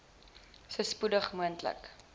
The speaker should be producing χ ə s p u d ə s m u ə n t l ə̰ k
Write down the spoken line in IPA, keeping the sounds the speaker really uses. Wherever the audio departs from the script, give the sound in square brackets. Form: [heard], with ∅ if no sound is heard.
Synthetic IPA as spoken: [s] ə s p u d ə [χ] m u ə n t l ə̰ k